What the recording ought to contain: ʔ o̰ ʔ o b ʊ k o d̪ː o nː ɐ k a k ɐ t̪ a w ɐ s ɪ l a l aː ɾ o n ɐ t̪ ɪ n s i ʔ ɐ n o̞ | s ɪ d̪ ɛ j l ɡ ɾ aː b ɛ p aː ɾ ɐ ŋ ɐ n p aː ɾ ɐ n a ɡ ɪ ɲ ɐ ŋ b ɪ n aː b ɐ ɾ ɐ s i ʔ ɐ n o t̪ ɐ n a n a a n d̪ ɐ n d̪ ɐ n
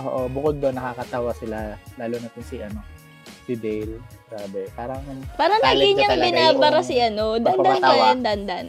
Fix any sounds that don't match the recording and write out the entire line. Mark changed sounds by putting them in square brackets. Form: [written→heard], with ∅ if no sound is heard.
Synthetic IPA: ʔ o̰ ʔ o b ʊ k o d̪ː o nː ɐ k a k ɐ t̪ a w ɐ s ɪ l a l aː [ɾ→l] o n ɐ t̪ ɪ n s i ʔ ɐ n o̞ | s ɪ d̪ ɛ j l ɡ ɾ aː b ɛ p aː ɾ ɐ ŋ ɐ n p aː ɾ ɐ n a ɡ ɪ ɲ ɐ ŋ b ɪ n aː b ɐ ɾ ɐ s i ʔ ɐ n o [t̪→d̪] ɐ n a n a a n d̪ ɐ n d̪ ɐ n